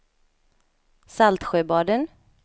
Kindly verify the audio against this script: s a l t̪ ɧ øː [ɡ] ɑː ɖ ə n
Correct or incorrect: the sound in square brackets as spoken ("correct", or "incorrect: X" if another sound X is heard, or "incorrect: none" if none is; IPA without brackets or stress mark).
incorrect: b